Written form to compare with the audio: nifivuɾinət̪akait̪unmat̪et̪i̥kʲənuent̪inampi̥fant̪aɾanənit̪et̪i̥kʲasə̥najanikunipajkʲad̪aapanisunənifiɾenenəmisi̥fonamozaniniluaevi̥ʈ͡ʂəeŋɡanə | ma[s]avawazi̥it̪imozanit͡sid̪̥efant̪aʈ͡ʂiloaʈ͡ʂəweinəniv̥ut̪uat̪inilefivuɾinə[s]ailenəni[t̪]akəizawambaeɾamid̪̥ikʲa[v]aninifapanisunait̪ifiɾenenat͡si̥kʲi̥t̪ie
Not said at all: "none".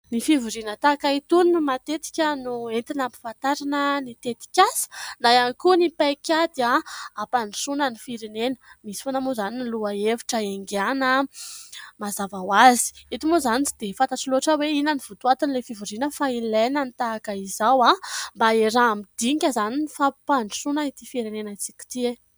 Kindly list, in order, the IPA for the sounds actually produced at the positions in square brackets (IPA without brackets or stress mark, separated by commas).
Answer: z, f, t̪, z